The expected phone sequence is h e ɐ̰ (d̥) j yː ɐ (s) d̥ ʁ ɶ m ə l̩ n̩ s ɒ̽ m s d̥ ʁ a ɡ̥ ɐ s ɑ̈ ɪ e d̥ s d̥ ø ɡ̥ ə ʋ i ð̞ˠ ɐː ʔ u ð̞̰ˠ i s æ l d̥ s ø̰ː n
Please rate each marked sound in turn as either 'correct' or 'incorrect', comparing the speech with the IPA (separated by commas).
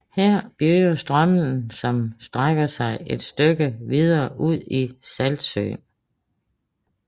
incorrect, correct